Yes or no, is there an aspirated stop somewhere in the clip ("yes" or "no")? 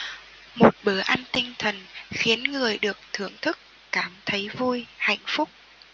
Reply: yes